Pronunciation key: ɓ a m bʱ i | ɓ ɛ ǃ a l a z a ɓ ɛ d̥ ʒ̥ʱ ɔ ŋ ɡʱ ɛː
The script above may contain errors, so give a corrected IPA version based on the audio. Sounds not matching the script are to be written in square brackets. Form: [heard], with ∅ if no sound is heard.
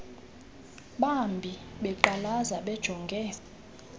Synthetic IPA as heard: ɓ a m bʱ i | ɓ ɛ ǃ a l a z a ɓ ɛ d̥ ʒ̥ʱ ɔ ŋ ɡʱ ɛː